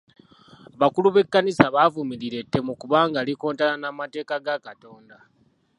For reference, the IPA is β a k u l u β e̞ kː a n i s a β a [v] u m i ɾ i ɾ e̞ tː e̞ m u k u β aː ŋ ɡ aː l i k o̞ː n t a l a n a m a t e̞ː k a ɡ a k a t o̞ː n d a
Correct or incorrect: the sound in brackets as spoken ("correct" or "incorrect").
correct